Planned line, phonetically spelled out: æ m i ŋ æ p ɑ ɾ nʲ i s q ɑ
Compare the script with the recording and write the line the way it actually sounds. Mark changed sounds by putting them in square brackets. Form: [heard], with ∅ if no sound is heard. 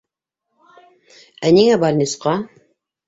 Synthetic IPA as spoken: æ [n] i ŋ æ [b] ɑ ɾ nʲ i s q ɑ